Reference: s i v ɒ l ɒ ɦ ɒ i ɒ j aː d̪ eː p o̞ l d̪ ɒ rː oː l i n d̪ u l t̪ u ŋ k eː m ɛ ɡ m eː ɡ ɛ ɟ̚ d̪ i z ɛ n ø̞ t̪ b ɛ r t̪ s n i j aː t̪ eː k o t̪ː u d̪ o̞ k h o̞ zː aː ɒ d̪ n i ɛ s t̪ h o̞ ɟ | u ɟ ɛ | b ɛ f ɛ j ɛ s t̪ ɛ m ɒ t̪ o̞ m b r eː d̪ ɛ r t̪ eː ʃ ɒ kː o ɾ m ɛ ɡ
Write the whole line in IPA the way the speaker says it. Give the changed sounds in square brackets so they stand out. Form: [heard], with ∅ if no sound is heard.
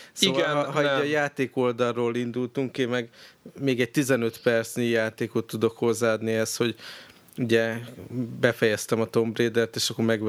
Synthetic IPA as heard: s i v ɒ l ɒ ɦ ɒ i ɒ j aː [t̪] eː [k] o̞ l d̪ ɒ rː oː l i n d̪ u l t̪ u ŋ k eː m ɛ ɡ m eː ɡ ɛ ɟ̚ [t̪] i z ɛ n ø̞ t̪ [p] ɛ r t̪ s n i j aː t̪ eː k o t̪ː u d̪ o̞ k h o̞ zː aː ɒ d̪ n i ɛ s t̪ h o̞ ɟ | u ɟ ɛ | b ɛ f ɛ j ɛ s t̪ ɛ m ɒ t̪ o̞ m b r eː d̪ ɛ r t̪ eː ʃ ɒ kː o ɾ m ɛ ɡ